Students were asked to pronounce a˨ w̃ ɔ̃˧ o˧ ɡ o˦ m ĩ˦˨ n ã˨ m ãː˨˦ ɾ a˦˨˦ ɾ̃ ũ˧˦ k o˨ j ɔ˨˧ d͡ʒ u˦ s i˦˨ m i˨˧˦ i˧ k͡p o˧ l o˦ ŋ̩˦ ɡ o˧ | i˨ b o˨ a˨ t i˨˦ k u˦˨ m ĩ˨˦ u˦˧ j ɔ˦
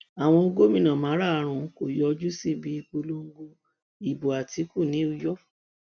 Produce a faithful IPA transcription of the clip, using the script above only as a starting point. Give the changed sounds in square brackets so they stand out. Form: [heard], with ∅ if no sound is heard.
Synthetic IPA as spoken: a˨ w̃ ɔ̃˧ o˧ ɡ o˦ m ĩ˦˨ n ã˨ m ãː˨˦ ɾ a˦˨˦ ɾ̃ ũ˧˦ k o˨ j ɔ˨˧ d͡ʒ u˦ s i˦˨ [b] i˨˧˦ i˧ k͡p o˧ l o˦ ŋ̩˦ ɡ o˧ | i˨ b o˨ a˨ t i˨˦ k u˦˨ [n] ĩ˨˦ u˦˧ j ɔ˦